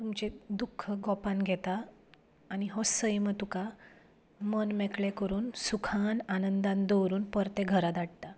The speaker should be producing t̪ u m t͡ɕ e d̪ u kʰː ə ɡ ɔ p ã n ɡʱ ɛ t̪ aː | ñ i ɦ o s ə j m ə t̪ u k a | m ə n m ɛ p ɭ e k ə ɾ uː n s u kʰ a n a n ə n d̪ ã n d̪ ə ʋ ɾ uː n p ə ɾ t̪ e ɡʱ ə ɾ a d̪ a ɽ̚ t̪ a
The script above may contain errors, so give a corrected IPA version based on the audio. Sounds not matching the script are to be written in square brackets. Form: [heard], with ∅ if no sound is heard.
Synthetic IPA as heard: t̪ u m t͡ɕ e d̪ u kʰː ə ɡ ɔ p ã n ɡʱ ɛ t̪ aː | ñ i ɦ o s ə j m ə t̪ u k a | m ə n m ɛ [k] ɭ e k ə ɾ uː n s u kʰ a n a n ə n d̪ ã n d̪ ə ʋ ɾ uː n p ə ɾ t̪ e ɡʱ ə ɾ a d̪ a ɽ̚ t̪ a